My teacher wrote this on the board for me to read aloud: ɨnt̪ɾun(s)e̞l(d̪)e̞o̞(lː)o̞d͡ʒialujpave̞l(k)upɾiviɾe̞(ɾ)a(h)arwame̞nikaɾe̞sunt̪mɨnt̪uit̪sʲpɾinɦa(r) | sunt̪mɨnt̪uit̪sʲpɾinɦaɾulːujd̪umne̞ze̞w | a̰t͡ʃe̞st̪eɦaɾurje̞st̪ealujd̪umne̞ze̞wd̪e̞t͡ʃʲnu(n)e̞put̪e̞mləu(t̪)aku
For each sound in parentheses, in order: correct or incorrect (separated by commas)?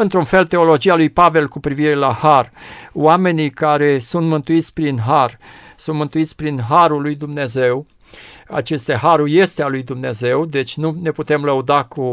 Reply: incorrect, incorrect, incorrect, correct, incorrect, correct, correct, correct, incorrect